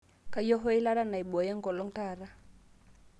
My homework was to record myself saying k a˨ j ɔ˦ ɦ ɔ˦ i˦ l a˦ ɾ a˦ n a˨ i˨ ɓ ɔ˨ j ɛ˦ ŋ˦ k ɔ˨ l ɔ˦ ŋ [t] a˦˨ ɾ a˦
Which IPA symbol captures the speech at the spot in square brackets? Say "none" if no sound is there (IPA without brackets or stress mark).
t